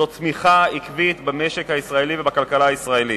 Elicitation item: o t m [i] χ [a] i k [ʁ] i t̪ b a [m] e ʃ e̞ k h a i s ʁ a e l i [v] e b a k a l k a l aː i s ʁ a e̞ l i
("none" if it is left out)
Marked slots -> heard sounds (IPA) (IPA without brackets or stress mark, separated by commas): i, a, v, m, v